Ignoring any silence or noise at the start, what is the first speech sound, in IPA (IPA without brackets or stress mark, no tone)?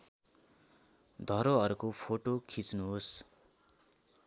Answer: d̪ʱ